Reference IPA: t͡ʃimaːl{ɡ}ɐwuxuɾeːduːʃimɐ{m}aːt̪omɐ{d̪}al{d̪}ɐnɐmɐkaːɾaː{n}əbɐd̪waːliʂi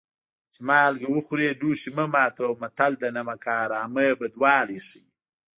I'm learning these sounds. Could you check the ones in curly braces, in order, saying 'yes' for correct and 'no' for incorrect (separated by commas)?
yes, yes, no, yes, no